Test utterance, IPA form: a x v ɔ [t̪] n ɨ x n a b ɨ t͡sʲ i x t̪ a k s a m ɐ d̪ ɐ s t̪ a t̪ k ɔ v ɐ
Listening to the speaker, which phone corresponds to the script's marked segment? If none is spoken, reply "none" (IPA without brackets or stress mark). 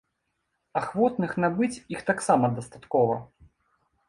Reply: t̪